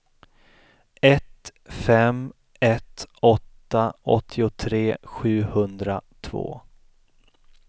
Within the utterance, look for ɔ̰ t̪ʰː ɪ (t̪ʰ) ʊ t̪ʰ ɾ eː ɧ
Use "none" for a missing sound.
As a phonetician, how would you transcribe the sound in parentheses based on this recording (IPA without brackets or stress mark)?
none